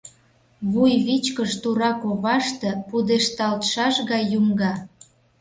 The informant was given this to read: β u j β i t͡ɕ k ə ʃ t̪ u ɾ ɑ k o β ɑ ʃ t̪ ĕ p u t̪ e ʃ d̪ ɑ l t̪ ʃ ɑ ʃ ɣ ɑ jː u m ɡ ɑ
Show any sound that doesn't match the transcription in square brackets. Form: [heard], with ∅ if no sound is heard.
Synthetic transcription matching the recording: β u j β i t͡ɕ k ə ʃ t̪ u ɾ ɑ k o β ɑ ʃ t̪ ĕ p u [d̪] e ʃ [t̪] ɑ l t̪ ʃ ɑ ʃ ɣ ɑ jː u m ɡ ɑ